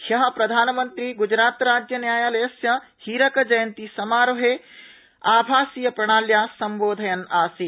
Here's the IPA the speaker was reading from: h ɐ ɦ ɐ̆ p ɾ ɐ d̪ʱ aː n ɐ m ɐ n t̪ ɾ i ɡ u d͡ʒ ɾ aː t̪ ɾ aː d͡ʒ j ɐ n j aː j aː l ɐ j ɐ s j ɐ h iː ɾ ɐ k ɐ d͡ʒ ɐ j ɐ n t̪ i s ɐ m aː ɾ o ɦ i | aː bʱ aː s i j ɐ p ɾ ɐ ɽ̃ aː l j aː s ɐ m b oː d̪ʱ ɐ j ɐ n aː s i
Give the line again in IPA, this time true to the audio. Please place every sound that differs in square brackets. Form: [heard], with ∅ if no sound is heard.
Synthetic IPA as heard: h ɐ ɦ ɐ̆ p ɾ ɐ d̪ʱ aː n ɐ m ɐ n t̪ ɾ i ɡ u d͡ʒ ɾ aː t̪ ɾ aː d͡ʒ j ɐ n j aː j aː l ɐ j ɐ s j ɐ h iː ɾ ɐ k ɐ d͡ʒ ɐ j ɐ n t̪ i s ɐ m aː ɾ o ɦ [e] | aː bʱ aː s i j ɐ p ɾ ɐ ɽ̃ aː l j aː s ɐ m b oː d̪ʱ ɐ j ɐ n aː s i

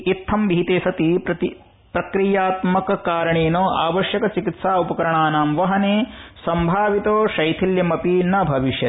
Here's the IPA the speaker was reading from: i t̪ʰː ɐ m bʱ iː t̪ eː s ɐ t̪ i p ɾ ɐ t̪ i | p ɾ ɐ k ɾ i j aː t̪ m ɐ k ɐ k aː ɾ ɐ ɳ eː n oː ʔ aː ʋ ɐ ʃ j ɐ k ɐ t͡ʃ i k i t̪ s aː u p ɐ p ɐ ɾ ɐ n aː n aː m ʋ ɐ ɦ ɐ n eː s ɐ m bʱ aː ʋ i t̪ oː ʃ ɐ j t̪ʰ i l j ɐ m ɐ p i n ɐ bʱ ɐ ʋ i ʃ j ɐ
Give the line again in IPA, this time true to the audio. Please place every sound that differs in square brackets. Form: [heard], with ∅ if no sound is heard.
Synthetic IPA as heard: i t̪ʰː ɐ m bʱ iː t̪ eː s ɐ t̪ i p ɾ ɐ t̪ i | p ɾ ɐ k ɾ i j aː t̪ m ɐ k ɐ k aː ɾ ɐ ɳ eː n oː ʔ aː ʋ ɐ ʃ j ɐ k ɐ t͡ʃ i k i t̪ s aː u p ɐ [k] ɐ ɾ ɐ [ɳ] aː n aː m ʋ ɐ ɦ ɐ n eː s ɐ m bʱ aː ʋ i t̪ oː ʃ ɐ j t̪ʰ i l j ɐ m ɐ p i n ɐ bʱ ɐ ʋ i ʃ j ɐ

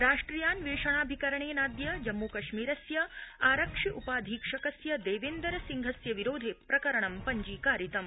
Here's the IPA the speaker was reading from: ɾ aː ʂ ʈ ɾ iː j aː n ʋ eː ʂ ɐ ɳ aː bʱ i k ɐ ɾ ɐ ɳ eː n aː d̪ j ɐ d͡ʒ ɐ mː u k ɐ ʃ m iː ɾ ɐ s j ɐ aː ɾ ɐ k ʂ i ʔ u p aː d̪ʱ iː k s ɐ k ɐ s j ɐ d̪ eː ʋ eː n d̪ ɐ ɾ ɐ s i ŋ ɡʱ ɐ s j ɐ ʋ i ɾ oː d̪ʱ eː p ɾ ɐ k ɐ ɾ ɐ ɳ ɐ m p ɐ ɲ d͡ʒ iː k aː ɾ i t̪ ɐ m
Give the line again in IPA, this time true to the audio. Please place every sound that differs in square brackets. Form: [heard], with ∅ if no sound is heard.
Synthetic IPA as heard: ɾ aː ʂ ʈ ɾ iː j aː n ʋ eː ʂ ɐ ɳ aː bʱ i k ɐ ɾ ɐ ɳ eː n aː d̪ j ɐ d͡ʒ ɐ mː u k ɐ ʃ m iː ɾ ɐ s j ɐ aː ɾ ɐ k ʂ i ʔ u p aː d̪ʱ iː k [ʂ] ɐ k ɐ s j ɐ d̪ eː ʋ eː n d̪ ɐ ɾ ɐ s i ŋ ɡʱ ɐ s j ɐ ʋ i ɾ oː d̪ʱ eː p ɾ ɐ k ɐ ɾ ɐ ɳ ɐ m p ɐ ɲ d͡ʒ iː k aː ɾ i t̪ ɐ m

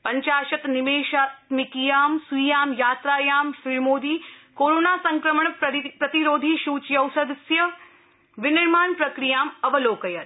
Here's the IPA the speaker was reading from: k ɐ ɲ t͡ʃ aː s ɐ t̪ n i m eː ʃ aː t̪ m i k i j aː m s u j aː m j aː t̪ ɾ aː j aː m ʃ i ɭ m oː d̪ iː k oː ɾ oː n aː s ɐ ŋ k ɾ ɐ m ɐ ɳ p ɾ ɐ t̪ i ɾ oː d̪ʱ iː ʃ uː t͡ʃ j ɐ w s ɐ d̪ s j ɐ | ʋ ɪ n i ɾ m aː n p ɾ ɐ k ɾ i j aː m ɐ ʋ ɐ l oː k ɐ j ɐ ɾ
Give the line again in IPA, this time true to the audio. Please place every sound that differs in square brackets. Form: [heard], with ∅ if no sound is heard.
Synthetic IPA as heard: [p] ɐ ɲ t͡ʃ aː [ʃ] ɐ t̪ n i m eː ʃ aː t̪ m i k i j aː m s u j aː m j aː t̪ ɾ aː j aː m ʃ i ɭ m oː d̪ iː k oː ɾ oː n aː s ɐ ŋ k ɾ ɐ m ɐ ɳ p ɾ ɐ t̪ i ɾ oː d̪ʱ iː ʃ uː t͡ʃ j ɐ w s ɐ d̪ s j ɐ | ʋ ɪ n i ɾ m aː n p ɾ ɐ k ɾ i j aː m ɐ ʋ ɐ l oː k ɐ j ɐ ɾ

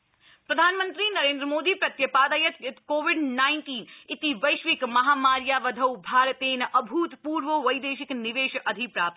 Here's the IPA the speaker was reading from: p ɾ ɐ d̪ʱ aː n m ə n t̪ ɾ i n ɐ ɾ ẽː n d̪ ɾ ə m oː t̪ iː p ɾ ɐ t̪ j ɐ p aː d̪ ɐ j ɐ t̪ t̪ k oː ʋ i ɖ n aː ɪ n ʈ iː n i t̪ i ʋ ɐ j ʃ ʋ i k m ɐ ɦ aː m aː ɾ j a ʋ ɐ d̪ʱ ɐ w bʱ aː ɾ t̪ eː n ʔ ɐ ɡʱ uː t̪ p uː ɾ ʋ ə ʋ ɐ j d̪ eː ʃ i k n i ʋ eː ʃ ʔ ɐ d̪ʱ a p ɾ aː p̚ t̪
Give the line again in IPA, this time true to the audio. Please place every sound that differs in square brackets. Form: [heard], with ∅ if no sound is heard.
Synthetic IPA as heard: p ɾ ɐ d̪ʱ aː n m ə n t̪ ɾ i n ɐ ɾ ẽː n d̪ ɾ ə m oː [d̪] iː p ɾ ɐ t̪ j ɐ p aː d̪ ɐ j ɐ t̪ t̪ k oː ʋ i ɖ n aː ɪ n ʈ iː n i t̪ i ʋ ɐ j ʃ ʋ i k m ɐ ɦ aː m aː ɾ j a ʋ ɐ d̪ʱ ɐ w bʱ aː ɾ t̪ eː n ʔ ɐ [bʱ] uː t̪ p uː ɾ ʋ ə ʋ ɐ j d̪ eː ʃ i k n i ʋ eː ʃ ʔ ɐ d̪ʱ [i] p ɾ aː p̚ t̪

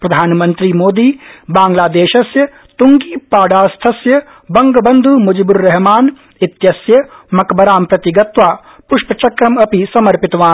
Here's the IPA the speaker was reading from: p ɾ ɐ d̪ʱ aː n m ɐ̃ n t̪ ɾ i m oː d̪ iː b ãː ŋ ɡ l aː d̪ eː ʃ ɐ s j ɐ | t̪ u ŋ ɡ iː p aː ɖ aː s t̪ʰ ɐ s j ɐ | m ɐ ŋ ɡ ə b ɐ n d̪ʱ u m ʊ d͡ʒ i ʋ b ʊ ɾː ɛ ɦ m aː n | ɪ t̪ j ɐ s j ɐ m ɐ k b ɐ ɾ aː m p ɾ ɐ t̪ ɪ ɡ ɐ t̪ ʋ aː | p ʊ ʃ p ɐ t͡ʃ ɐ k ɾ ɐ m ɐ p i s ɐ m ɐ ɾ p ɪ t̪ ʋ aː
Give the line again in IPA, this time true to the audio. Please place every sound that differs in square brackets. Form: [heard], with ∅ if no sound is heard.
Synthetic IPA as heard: p ɾ ɐ d̪ʱ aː n m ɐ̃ n t̪ ɾ i m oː d̪ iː b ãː ŋ ɡ l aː d̪ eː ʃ ɐ s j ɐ | t̪ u ŋ ɡ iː p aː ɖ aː s t̪ʰ ɐ s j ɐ | [b] ɐ ŋ ɡ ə b ɐ n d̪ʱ u m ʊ d͡ʒ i [∅] b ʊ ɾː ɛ ɦ m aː n | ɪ t̪ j ɐ s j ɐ m ɐ k b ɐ ɾ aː m p ɾ ɐ t̪ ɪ ɡ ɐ t̪ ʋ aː | p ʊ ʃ p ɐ t͡ʃ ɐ k ɾ ɐ m ɐ p i s ɐ m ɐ ɾ p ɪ t̪ ʋ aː

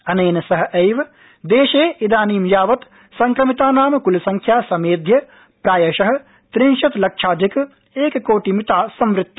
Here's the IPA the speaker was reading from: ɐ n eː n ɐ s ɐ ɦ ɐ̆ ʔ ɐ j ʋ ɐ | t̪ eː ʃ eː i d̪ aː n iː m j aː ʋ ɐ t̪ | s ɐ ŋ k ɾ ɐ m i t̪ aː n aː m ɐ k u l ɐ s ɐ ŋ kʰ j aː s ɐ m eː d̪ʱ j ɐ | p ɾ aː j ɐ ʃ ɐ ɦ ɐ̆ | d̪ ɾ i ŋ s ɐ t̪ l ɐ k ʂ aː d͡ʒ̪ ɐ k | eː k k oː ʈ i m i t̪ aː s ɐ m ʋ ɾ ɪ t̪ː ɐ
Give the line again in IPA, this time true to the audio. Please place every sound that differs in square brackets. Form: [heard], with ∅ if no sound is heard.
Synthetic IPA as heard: ɐ n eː n ɐ s ɐ ɦ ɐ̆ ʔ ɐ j ʋ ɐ | [d̪] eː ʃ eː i d̪ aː n iː m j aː ʋ ɐ t̪ | s ɐ ŋ k ɾ ɐ m i t̪ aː n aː m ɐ k u l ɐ s ɐ ŋ kʰ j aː s ɐ m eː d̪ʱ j ɐ | p ɾ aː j ɐ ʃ ɐ ɦ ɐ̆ | [t̪] ɾ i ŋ [ʃ] ɐ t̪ l ɐ k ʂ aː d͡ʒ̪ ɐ k | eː k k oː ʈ i m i t̪ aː s ɐ m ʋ ɾ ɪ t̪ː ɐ

